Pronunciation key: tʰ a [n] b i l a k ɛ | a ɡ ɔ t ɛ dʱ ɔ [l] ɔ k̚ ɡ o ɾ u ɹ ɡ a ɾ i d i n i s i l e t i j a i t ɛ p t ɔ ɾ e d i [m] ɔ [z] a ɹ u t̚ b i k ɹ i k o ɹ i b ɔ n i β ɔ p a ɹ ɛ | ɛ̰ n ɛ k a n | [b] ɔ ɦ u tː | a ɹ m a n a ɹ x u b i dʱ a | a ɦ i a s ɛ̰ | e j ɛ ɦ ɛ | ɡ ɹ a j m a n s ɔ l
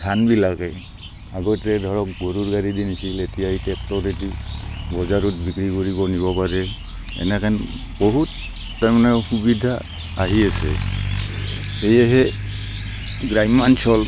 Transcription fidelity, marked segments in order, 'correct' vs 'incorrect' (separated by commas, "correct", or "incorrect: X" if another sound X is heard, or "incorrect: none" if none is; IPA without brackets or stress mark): correct, incorrect: ɹ, incorrect: b, correct, correct